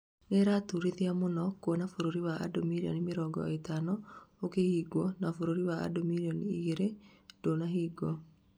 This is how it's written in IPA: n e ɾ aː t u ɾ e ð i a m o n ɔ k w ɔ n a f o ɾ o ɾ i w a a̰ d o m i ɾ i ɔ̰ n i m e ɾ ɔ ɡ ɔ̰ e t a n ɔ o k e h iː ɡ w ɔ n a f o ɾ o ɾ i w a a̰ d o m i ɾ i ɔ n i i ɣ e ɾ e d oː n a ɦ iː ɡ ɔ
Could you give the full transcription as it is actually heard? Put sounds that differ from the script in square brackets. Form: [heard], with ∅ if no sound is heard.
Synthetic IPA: n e ɾ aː t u ɾ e ð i a m o n ɔ k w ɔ n a f o ɾ o ɾ i w a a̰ d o m i ɾ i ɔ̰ n i m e ɾ ɔ ɡ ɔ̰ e t a n ɔ o k e h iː ɡ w ɔ n a f o ɾ o ɾ i w a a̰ d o m i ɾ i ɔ n i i ɣ e ɾ e d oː n a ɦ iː ɡ ɔ